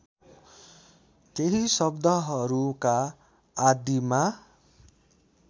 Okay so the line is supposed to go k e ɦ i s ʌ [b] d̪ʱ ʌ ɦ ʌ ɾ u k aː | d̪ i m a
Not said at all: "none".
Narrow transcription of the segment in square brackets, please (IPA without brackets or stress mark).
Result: b